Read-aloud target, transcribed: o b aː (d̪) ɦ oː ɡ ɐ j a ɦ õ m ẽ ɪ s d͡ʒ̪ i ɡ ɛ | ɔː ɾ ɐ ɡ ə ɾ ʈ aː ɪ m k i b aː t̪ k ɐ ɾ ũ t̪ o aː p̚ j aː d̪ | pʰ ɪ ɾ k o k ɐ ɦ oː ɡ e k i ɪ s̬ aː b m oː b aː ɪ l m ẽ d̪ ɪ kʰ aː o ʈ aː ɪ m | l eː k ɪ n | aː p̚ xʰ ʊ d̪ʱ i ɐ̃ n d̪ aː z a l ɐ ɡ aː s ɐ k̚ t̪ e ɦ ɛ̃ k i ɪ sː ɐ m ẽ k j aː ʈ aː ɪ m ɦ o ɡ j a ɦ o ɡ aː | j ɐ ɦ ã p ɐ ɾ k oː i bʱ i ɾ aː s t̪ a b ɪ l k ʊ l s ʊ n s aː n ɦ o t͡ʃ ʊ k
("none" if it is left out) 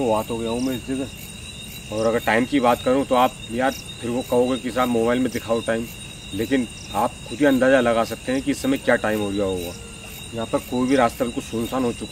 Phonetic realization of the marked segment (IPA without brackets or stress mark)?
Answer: t̪